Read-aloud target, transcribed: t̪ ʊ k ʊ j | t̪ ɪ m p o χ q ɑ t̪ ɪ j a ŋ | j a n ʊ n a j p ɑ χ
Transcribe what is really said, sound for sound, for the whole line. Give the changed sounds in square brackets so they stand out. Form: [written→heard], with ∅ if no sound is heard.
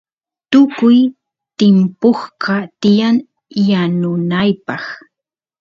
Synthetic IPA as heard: t̪ ʊ k ʊ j | t̪ ɪ m p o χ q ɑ t̪ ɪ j a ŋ | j a n ʊ n a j p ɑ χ